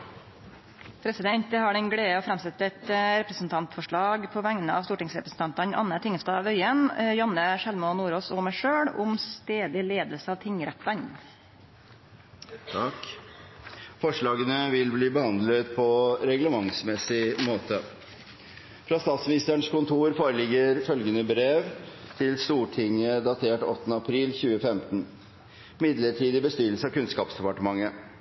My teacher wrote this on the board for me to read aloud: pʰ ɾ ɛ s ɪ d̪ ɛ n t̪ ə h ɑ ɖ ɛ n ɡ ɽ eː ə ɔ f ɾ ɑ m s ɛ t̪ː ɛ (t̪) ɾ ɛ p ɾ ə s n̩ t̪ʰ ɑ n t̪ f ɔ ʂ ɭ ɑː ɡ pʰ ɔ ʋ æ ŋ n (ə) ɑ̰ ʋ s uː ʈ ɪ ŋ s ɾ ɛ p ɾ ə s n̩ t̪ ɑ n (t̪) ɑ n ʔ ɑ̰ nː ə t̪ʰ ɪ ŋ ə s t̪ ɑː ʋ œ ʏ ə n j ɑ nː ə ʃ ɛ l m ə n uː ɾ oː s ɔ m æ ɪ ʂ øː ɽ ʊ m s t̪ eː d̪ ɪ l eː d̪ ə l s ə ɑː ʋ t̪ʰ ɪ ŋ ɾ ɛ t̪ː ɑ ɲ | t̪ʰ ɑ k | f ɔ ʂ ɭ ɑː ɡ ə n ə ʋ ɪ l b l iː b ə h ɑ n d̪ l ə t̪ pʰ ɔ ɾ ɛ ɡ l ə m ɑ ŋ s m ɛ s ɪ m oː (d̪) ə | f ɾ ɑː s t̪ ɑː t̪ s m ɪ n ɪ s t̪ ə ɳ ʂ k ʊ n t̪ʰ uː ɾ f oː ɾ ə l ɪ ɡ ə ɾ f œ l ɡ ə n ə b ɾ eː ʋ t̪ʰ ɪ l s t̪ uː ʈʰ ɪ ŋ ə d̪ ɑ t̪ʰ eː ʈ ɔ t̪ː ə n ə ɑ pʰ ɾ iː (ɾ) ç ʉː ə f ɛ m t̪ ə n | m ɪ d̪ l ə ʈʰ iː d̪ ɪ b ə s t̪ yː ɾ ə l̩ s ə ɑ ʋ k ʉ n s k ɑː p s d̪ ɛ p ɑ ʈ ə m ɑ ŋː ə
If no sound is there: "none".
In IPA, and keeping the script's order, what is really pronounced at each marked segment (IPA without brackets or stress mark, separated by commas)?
t̪, ə, t̪, t̪, l